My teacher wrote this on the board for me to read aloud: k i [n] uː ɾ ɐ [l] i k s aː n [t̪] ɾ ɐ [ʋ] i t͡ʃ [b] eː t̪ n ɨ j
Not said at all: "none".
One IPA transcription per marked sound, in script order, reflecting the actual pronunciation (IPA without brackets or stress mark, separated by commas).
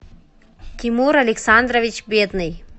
m, l, d̪, ʋ, b